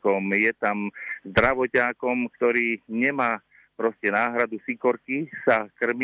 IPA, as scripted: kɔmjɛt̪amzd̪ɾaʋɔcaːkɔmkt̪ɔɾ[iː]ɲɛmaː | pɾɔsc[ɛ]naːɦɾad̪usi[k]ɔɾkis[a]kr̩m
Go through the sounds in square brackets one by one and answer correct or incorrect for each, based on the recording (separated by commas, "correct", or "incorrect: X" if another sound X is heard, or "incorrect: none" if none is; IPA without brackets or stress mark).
correct, correct, correct, correct